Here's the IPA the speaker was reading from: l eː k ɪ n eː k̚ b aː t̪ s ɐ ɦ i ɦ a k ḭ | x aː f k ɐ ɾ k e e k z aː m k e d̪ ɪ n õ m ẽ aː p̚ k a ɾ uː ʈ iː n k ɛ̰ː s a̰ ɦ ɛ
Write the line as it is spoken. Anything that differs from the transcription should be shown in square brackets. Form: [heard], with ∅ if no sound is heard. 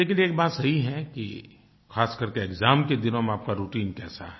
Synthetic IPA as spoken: l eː k ɪ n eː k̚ b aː t̪ s ɐ ɦ i ɦ [ɛ] k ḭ | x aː [s] k ɐ ɾ k e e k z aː m k e d̪ ɪ n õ m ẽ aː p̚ k a ɾ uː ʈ iː n k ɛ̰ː s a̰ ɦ ɛ